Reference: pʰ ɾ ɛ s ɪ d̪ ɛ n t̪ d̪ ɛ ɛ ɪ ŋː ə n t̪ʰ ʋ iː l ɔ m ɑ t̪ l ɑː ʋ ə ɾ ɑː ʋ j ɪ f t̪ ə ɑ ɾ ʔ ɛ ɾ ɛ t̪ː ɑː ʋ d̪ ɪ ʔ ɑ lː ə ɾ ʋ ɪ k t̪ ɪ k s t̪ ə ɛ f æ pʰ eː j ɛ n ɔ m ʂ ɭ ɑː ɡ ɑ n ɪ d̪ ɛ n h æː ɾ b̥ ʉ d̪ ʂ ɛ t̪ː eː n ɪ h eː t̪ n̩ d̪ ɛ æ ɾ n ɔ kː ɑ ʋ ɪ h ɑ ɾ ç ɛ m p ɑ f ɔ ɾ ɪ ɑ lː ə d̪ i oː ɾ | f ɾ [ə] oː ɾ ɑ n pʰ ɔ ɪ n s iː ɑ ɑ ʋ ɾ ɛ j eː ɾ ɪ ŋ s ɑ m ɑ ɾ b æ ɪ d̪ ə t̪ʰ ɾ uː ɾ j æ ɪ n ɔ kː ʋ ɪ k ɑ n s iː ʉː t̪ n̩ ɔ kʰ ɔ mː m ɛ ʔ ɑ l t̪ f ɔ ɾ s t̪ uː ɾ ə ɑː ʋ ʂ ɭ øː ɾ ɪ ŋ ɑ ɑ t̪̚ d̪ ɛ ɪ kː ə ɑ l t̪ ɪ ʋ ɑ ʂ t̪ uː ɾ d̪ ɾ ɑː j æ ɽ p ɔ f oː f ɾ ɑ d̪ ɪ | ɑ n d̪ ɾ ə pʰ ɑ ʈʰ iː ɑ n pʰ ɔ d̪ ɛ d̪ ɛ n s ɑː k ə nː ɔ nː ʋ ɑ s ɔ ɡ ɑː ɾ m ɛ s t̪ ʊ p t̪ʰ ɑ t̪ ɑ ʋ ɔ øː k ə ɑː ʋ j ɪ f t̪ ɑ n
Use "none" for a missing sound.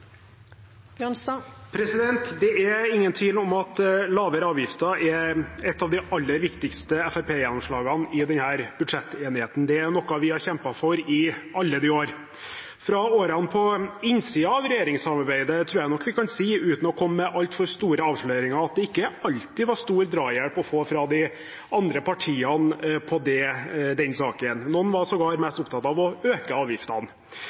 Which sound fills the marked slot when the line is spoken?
ɑ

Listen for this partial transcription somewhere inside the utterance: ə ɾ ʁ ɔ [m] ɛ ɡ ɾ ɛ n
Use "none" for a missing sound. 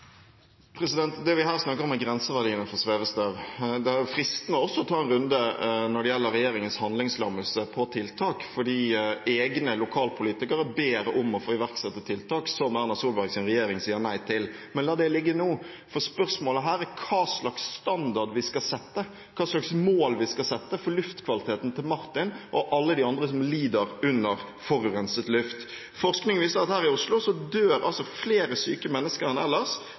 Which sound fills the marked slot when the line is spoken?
m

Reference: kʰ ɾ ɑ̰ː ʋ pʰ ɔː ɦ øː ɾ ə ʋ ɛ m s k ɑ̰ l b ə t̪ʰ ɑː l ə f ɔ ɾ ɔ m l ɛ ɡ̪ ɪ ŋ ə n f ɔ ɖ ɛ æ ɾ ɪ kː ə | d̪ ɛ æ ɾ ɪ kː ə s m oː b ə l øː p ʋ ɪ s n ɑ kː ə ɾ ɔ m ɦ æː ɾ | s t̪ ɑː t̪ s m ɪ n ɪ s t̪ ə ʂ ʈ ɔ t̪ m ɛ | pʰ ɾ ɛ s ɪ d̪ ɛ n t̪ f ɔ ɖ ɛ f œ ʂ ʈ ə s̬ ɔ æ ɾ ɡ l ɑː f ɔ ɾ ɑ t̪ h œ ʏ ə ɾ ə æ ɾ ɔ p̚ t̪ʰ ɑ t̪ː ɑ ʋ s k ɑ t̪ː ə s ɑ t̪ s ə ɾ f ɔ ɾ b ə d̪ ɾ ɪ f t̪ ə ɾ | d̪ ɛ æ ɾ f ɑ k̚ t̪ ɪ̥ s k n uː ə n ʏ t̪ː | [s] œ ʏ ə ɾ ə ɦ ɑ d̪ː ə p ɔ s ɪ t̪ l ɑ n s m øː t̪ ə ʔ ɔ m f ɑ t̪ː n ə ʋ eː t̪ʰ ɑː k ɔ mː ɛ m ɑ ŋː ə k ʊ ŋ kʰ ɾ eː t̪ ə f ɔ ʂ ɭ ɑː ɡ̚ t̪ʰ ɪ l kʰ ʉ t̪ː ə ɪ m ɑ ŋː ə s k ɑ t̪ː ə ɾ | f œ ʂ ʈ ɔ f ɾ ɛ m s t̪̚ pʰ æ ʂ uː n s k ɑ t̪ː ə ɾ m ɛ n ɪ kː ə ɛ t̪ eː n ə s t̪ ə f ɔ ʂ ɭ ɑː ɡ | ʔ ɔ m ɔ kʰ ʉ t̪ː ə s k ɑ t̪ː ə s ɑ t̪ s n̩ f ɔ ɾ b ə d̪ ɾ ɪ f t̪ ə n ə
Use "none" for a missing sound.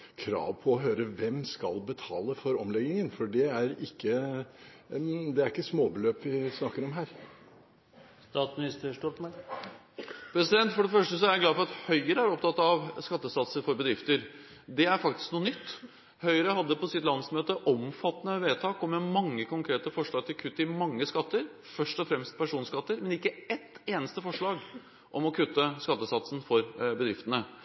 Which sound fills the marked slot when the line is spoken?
h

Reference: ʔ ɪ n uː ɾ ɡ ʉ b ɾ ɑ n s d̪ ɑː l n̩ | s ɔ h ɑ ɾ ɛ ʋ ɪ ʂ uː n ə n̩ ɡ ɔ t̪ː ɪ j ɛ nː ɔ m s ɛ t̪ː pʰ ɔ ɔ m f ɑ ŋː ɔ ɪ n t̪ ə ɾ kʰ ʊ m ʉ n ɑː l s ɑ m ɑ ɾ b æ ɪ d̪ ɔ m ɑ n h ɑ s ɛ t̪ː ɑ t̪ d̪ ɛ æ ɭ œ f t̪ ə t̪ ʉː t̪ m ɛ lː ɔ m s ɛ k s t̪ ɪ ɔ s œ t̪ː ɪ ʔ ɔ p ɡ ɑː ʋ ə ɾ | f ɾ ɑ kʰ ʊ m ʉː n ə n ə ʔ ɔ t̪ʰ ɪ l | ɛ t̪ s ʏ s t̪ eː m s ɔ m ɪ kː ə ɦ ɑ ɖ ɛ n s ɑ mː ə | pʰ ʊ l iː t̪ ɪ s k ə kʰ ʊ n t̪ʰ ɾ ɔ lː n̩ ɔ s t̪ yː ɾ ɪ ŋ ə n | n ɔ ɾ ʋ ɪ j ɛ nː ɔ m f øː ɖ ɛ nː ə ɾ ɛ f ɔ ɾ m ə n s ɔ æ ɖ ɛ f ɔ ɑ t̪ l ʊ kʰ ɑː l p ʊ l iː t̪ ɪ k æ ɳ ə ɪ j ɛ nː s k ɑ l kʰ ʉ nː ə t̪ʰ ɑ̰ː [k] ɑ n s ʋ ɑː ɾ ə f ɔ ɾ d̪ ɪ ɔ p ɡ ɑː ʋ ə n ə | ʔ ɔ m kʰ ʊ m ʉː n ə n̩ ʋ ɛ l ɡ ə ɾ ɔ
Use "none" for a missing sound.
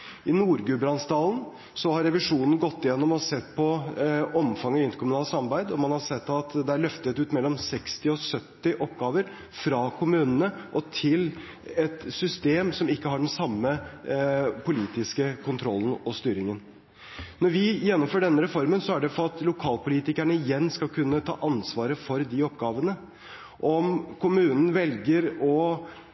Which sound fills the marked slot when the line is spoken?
ʔ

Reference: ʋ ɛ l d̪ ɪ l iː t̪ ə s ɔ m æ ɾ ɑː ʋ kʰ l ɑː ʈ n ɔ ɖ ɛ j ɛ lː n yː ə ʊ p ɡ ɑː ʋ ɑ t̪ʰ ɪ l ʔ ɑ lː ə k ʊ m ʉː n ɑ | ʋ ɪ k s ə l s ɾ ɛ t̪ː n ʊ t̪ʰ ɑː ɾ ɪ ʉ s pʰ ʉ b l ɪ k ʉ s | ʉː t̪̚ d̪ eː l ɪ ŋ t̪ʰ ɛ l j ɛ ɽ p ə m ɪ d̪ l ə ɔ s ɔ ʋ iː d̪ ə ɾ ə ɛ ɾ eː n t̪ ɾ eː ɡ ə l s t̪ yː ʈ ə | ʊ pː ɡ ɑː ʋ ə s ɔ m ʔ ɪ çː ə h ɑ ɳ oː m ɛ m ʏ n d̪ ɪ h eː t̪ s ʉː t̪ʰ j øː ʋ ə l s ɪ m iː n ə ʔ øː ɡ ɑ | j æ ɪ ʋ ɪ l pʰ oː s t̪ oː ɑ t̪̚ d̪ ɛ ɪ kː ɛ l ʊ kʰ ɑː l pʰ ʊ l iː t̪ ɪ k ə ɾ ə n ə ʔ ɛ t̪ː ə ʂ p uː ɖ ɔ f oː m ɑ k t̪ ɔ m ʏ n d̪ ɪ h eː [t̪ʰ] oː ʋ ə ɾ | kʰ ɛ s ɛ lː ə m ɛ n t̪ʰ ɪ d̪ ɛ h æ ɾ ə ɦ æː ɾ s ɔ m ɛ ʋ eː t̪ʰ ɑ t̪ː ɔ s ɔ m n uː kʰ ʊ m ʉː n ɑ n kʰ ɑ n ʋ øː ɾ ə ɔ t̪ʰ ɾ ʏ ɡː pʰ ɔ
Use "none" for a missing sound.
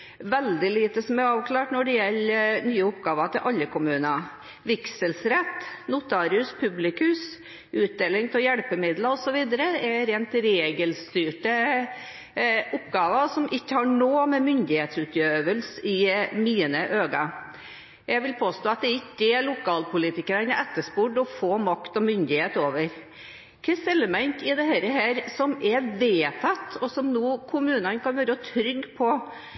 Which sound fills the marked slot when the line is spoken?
t̪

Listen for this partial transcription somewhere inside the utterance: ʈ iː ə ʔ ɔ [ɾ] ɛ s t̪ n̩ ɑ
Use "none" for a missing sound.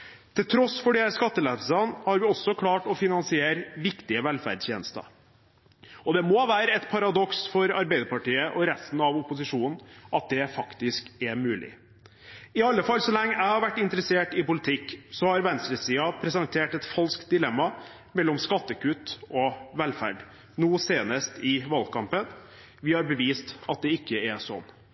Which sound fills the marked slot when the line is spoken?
ɾ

